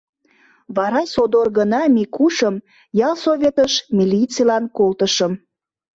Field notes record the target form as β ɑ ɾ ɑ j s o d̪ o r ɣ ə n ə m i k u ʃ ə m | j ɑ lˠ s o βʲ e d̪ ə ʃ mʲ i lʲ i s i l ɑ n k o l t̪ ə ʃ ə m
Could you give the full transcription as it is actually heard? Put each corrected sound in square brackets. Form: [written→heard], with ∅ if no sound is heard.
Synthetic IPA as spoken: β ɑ ɾ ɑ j s o d̪ o r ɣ ə n [ə→ɑ] m i k u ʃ ə m | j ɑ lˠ s o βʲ e [d̪→t̪] ə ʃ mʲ i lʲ i [s→t͡s] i l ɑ n k o l t̪ ə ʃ ə m